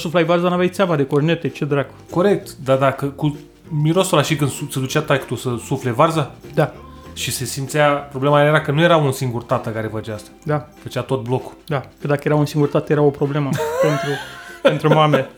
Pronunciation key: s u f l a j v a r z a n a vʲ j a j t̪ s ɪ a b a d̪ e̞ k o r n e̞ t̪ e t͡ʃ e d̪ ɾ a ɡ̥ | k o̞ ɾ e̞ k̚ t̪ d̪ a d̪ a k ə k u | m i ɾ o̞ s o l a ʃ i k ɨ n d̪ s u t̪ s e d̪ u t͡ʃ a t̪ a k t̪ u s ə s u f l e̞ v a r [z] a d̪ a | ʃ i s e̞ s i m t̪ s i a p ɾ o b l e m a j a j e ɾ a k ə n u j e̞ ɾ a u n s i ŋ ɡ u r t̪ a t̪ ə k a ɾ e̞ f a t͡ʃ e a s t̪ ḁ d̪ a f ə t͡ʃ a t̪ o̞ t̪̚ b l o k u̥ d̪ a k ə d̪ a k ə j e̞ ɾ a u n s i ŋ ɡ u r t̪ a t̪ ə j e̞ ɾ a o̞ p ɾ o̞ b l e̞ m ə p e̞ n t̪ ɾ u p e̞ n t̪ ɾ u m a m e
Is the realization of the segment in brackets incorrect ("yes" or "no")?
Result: no